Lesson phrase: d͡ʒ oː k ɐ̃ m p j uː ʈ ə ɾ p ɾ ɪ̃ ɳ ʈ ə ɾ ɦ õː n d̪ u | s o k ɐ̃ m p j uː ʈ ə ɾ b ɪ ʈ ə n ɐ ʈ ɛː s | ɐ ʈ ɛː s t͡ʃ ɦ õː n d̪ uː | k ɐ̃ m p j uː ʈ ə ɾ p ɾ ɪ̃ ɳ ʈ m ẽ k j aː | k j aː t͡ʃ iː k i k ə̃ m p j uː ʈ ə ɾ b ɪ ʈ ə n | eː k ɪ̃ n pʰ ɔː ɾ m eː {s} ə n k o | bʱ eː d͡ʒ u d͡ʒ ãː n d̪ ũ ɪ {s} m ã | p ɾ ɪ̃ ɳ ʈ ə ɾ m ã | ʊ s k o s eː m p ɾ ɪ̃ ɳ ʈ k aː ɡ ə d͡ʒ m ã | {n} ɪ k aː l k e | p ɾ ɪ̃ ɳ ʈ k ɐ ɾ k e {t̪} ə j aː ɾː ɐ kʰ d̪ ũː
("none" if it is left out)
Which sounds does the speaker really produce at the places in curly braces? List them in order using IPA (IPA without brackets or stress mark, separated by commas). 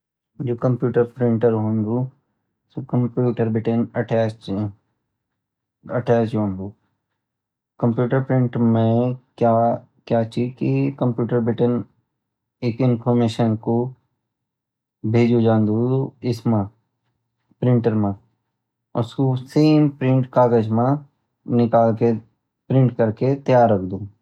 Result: ʃ, s, n, t̪